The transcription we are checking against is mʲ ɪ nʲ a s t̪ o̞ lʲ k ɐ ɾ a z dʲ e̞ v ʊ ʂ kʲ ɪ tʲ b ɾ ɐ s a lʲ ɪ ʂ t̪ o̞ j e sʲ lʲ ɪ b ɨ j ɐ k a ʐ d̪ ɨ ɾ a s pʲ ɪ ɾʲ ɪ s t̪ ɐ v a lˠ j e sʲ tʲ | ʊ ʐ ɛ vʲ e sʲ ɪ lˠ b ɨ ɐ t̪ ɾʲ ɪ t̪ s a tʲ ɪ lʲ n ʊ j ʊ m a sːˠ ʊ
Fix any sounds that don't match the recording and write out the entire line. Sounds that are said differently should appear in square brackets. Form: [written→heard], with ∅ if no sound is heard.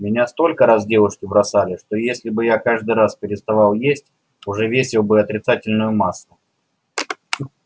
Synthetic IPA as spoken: mʲ ɪ nʲ a s t̪ o̞ lʲ k [ɐ→ə] ɾ a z dʲ e̞ v ʊ ʂ kʲ ɪ [tʲ→∅] b ɾ ɐ s a lʲ ɪ ʂ t̪ o̞ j e sʲ lʲ ɪ b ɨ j [ɐ→a] k a ʐ d̪ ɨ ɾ a s pʲ ɪ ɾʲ ɪ s t̪ ɐ v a lˠ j e sʲ tʲ | ʊ ʐ ɛ vʲ e sʲ ɪ lˠ b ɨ ɐ t̪ ɾʲ ɪ t̪ s a tʲ ɪ lʲ n ʊ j ʊ m a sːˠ ʊ